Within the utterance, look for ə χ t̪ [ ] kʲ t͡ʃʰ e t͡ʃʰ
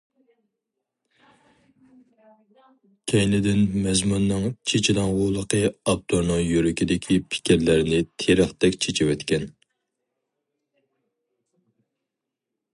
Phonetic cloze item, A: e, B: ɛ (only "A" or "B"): B